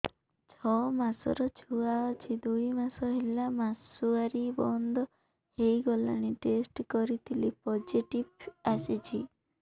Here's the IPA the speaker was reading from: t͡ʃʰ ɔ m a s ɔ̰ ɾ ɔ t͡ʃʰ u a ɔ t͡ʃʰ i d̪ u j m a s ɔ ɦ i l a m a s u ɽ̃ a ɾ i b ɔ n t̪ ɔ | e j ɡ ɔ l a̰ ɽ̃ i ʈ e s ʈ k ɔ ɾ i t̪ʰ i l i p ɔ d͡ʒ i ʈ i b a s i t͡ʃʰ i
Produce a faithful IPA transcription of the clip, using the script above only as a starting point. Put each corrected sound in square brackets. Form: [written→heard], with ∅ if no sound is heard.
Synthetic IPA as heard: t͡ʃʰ ɔ m a s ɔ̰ ɾ ɔ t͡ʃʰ u a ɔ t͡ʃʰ i d̪ u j m a s ɔ ɦ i l a m a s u [ɽ̃→∅] a ɾ i b ɔ n [t̪→d̪] ɔ | e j ɡ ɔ l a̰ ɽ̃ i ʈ e s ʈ k ɔ ɾ i t̪ʰ i l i p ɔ d͡ʒ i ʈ i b a s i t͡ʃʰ i